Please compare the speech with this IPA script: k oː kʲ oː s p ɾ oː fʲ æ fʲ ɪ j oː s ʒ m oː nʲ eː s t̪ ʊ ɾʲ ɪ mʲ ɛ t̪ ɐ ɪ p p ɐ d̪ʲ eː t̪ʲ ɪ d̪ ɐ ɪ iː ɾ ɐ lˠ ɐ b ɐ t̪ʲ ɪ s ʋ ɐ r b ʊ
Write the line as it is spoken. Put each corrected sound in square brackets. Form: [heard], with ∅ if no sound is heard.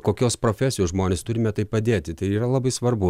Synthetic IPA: k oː kʲ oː s p ɾ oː fʲ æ [sʲ] ɪ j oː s ʒ m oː nʲ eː s t̪ ʊ ɾʲ ɪ mʲ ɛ t̪ ɐ ɪ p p ɐ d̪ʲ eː t̪ʲ ɪ [t̪] ɐ ɪ iː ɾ ɐ lˠ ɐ b ɐ [∅] ɪ s ʋ ɐ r b ʊ